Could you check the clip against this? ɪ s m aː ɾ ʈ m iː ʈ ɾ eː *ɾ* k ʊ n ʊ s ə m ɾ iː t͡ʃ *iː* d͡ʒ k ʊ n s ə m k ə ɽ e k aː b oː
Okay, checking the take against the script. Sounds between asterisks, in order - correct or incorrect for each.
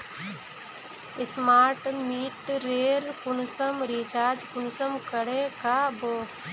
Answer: correct, incorrect: aː

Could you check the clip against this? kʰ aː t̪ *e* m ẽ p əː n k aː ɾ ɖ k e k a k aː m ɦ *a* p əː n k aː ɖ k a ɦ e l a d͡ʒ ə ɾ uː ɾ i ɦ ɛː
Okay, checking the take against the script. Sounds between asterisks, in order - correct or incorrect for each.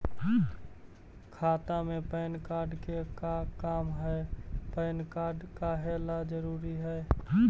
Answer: incorrect: a, incorrect: ɛ

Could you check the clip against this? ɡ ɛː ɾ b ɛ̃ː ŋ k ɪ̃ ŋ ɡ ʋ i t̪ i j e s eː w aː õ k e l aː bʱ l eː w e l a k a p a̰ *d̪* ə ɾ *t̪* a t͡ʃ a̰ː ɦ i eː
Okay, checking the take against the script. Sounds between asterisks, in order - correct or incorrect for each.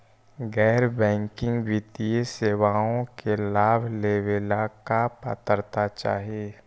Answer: incorrect: t̪, correct

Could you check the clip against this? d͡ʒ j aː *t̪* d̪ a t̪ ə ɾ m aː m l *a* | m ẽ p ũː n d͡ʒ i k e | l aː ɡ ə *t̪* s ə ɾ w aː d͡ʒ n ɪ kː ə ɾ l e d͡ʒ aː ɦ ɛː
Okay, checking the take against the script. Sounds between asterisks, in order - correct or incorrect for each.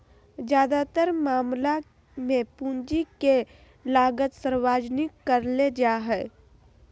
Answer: incorrect: none, correct, correct

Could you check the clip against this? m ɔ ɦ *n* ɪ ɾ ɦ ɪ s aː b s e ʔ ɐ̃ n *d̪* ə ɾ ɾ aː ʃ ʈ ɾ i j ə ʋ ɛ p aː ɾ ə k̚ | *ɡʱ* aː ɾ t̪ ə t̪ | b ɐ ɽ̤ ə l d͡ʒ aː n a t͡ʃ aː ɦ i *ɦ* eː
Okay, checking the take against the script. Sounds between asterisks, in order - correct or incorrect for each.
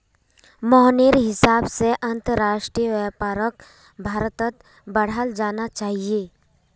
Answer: correct, incorrect: t̪, incorrect: bʱ, incorrect: none

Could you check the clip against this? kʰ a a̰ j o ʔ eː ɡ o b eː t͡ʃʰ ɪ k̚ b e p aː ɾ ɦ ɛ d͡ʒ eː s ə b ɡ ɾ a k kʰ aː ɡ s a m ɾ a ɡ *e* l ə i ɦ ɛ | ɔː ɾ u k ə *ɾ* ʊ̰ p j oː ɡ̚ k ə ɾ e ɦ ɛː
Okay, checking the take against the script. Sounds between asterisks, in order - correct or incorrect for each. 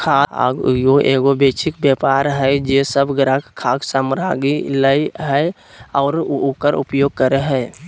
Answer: incorrect: i, correct

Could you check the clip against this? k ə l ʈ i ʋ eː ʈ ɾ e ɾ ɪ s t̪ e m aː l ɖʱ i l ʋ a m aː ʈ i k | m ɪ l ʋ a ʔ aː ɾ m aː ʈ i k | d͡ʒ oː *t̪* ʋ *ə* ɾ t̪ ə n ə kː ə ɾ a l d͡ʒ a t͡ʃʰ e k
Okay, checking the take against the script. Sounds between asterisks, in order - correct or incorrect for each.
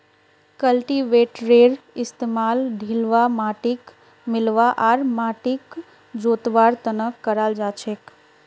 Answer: correct, incorrect: a

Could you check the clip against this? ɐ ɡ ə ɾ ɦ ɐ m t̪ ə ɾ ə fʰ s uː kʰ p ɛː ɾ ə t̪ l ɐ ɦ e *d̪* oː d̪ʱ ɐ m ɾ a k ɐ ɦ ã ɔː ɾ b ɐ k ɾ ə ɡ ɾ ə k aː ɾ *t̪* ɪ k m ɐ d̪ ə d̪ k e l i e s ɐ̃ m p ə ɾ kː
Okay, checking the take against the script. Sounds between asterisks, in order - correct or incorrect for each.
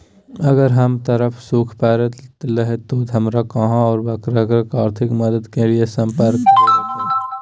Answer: incorrect: t̪, incorrect: t̪ʰ

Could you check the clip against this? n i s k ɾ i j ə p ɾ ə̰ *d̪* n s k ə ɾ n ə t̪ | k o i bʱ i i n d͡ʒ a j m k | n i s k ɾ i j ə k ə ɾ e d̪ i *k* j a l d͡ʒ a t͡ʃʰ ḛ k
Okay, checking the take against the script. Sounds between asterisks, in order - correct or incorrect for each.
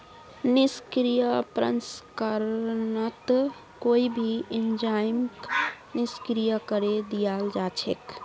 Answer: incorrect: none, incorrect: none

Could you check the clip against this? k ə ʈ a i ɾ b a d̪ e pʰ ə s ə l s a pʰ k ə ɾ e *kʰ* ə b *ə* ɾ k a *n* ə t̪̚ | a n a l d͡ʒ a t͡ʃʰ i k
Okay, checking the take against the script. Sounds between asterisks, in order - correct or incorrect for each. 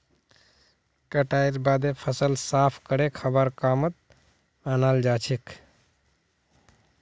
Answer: correct, correct, incorrect: m

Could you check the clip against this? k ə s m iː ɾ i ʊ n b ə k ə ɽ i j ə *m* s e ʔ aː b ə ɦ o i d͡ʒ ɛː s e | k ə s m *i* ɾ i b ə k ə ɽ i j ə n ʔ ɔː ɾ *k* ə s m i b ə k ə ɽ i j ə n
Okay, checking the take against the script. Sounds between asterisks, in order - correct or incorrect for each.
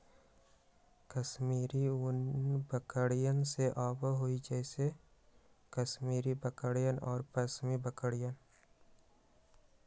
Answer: incorrect: n, incorrect: iː, incorrect: p

